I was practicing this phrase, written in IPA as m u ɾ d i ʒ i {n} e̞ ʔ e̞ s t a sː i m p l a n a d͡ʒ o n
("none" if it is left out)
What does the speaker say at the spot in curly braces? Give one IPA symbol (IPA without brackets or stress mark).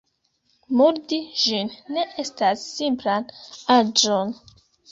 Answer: nː